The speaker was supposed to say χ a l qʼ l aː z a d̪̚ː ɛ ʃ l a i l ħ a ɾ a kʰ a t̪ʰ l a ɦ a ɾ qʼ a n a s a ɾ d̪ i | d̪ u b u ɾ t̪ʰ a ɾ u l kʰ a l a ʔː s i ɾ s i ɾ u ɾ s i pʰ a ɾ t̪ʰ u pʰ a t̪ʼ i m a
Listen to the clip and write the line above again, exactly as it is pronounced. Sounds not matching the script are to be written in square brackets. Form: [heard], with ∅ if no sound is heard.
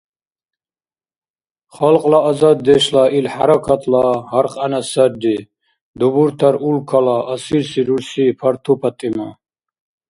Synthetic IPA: χ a l qʼ l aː z a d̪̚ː ɛ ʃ l a i l ħ a ɾ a kʰ a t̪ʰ l a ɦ a ɾ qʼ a n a s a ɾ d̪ i | d̪ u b u ɾ t̪ʰ a ɾ u l kʰ a l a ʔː s i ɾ s i ɾ u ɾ s i pʰ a ɾ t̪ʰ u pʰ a t̪ʼ i m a